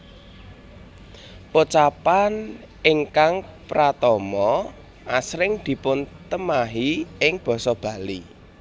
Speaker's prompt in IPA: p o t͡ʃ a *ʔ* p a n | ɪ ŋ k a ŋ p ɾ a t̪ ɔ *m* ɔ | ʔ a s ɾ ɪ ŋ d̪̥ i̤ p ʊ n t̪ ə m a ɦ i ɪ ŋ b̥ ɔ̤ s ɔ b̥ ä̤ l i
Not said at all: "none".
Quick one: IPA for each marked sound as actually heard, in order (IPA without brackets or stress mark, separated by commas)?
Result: none, m